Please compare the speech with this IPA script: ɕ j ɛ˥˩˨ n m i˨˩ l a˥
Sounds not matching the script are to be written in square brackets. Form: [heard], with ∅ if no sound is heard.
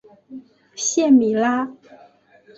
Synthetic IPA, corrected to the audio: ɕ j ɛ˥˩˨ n m i˨˩ l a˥